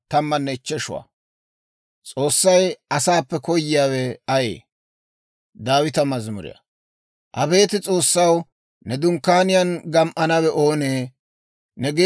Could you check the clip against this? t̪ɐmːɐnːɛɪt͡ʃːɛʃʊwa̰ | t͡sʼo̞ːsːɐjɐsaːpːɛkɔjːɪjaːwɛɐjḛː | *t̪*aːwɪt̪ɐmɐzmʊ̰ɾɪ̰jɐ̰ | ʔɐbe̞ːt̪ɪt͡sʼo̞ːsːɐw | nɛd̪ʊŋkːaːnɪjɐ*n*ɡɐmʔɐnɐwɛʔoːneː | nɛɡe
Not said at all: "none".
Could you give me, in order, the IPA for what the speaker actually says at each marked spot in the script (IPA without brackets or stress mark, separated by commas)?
d̪, n